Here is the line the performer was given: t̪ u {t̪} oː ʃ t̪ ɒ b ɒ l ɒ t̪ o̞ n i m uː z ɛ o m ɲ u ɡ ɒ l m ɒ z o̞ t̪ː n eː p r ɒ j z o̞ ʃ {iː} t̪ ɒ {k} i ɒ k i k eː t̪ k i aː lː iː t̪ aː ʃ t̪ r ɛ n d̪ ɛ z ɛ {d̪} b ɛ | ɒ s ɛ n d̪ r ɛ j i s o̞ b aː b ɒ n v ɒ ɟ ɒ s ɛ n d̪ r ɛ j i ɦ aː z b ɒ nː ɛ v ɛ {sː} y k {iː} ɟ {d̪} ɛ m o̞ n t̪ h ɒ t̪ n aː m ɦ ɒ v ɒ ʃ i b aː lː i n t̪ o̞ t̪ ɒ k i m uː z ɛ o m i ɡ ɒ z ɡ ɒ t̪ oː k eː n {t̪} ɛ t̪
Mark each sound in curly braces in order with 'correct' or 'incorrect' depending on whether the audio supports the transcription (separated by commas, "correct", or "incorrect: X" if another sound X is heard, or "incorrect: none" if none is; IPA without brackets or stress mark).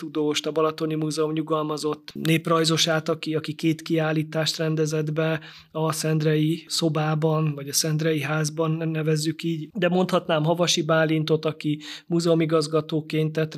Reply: incorrect: d̪, incorrect: aː, correct, correct, incorrect: zː, correct, correct, correct